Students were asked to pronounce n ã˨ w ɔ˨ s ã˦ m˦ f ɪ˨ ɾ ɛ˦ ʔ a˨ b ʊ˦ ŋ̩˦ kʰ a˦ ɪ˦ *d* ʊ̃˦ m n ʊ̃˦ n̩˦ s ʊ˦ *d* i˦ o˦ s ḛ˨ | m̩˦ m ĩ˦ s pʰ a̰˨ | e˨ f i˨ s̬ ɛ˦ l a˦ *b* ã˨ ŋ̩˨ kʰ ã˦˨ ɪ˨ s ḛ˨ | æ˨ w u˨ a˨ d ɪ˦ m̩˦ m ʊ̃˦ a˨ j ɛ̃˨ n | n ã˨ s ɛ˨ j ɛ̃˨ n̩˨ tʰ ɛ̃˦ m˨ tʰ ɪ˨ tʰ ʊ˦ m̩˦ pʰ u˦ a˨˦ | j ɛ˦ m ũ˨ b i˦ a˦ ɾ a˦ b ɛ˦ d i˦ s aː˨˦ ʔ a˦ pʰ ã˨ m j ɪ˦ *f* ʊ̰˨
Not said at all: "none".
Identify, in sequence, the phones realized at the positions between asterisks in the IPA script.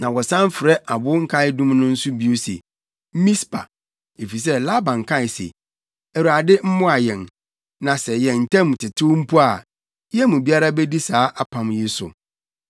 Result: d, b, b, s

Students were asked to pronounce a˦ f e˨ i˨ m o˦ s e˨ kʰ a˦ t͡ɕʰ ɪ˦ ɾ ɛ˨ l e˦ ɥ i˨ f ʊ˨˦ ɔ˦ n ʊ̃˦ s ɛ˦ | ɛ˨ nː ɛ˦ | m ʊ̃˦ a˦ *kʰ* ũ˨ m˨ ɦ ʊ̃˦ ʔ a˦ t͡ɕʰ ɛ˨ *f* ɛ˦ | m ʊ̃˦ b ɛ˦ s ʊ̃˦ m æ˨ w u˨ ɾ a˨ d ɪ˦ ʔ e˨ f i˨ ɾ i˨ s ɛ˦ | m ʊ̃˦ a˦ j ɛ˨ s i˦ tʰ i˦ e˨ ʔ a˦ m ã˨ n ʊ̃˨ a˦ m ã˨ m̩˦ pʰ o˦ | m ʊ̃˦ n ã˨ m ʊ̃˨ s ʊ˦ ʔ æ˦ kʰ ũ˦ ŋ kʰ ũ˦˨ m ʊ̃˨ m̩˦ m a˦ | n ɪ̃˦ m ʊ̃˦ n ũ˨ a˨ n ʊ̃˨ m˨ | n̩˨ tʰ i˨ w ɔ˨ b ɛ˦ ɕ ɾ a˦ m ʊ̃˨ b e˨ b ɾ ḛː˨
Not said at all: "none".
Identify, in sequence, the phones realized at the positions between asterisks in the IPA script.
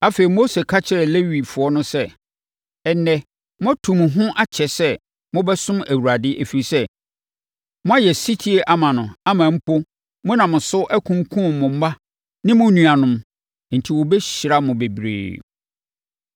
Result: tʰ, s

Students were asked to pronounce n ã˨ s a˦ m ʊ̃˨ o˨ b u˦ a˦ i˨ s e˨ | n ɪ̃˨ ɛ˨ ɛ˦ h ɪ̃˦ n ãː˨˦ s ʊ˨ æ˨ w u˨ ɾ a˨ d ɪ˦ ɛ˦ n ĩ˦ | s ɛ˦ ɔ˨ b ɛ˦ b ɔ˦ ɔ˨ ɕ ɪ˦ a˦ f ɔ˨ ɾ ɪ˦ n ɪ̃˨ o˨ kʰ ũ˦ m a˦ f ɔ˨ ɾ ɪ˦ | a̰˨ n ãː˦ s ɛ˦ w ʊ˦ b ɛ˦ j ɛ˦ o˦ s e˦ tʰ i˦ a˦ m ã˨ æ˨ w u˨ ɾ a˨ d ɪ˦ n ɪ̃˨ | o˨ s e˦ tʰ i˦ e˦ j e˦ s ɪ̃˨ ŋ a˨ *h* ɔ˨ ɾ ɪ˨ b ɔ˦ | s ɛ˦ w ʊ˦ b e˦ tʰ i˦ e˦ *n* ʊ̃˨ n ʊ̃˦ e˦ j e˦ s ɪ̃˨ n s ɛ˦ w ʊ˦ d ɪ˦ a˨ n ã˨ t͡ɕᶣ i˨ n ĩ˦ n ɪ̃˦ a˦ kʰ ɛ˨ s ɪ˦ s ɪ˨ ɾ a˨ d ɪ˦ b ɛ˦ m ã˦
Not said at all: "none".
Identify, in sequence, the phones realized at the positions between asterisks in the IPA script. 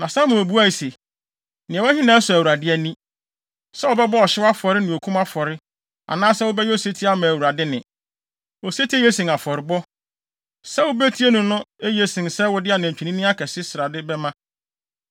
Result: f, n

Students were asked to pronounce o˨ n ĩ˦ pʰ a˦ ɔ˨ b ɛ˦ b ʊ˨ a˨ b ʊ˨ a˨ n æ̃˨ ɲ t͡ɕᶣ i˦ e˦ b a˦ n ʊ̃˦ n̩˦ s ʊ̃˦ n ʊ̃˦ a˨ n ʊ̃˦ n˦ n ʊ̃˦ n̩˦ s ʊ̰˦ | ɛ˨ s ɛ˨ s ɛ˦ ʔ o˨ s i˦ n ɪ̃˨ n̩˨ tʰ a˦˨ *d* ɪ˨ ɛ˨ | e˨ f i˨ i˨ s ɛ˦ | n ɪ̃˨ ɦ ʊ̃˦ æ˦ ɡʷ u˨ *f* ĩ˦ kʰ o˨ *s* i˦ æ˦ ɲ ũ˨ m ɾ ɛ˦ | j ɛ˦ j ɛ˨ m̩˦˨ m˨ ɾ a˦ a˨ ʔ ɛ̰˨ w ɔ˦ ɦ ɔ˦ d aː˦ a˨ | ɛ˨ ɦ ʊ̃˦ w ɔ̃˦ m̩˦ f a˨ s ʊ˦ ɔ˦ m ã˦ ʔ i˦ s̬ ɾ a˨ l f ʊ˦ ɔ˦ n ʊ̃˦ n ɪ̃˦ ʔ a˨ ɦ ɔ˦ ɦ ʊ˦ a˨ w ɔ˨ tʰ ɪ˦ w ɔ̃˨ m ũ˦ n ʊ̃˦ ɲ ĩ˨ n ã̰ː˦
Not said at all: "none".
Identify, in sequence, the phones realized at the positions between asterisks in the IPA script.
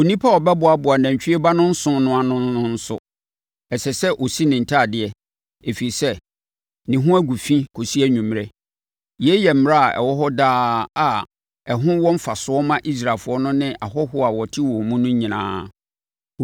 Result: d, f, s

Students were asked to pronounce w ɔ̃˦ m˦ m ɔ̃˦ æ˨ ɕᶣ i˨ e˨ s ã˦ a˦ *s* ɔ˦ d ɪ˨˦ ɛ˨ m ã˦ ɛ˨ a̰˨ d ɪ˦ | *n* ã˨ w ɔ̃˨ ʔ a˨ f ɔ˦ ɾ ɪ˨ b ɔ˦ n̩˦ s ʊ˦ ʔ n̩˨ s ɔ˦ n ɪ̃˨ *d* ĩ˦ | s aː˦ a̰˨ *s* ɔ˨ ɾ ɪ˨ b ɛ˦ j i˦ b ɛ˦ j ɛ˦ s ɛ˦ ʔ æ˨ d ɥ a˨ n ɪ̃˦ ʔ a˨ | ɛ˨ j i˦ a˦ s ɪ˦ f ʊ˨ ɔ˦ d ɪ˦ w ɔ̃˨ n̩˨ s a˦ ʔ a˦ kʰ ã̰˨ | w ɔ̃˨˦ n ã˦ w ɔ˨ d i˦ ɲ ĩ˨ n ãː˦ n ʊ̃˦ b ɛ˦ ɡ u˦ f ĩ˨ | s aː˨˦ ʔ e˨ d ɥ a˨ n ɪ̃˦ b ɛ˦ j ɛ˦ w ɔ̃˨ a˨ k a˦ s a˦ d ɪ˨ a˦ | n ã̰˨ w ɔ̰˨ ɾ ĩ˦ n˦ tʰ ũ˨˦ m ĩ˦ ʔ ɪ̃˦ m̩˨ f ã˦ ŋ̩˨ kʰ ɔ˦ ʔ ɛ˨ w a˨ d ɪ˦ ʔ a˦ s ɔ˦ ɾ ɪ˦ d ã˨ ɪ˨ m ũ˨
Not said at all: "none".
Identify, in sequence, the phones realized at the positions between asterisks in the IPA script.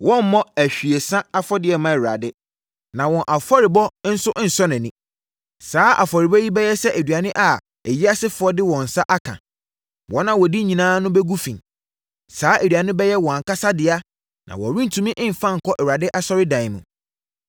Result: f, n, n, f

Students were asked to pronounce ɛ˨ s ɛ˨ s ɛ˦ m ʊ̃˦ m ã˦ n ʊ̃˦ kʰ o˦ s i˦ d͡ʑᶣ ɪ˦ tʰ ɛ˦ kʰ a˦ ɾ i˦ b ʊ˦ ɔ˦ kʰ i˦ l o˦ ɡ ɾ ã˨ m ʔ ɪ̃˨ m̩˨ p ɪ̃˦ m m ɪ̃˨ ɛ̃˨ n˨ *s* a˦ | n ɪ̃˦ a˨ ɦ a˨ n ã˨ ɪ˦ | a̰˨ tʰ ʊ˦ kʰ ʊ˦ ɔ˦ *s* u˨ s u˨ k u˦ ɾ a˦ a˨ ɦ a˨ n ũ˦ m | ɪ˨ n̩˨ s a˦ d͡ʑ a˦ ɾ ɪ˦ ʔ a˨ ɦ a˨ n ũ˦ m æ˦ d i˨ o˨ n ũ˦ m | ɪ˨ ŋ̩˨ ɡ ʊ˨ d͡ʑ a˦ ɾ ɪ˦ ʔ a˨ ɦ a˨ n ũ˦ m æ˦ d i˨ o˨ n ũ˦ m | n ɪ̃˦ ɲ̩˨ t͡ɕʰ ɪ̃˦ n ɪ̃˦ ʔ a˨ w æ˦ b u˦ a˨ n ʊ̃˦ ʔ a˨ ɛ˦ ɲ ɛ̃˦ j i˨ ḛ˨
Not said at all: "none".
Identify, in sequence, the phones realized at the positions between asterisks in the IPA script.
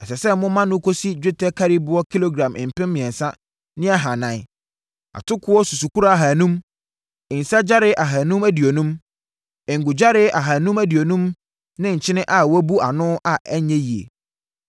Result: s, s

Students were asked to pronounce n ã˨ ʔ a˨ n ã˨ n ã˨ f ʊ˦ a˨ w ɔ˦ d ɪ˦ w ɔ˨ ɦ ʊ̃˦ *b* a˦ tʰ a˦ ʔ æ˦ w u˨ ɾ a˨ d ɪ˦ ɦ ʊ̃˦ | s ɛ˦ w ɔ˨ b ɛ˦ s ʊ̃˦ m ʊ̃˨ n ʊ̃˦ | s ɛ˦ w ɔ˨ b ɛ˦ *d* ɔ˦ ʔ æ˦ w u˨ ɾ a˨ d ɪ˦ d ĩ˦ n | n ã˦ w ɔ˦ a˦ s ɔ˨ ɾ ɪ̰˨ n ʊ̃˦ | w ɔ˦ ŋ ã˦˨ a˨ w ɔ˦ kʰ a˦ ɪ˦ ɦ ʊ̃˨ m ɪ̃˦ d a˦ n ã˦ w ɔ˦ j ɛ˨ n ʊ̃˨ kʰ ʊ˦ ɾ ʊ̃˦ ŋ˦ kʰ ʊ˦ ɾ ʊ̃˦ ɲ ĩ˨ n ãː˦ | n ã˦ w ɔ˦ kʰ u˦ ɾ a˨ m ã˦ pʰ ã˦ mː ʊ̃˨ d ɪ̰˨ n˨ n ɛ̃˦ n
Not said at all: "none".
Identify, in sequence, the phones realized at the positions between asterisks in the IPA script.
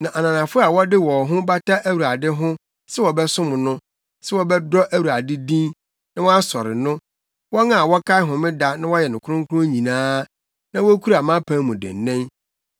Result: b, d

